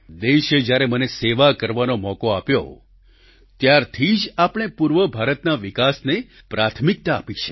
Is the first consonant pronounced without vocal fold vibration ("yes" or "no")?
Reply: no